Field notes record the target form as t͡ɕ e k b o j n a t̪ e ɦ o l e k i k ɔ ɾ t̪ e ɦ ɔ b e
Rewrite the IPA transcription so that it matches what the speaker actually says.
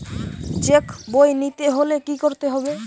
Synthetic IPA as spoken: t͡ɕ e k b o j n i t̪ e ɦ o l e k i k o ɾ t̪ e ɦ ɔ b e